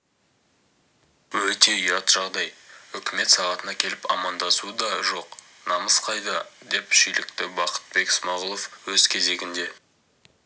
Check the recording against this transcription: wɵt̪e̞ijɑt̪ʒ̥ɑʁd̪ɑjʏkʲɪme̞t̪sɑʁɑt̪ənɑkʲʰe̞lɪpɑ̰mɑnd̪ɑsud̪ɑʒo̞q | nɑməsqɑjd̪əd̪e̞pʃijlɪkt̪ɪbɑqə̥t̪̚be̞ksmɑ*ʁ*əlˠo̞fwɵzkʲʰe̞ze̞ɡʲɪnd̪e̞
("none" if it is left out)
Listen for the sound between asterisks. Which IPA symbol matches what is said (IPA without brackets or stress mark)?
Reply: ʁ